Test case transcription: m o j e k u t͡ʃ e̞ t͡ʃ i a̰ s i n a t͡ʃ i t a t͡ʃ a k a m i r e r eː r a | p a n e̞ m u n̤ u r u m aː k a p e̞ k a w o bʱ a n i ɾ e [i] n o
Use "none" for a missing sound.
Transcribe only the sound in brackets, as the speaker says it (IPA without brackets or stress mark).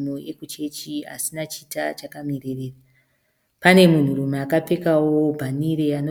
a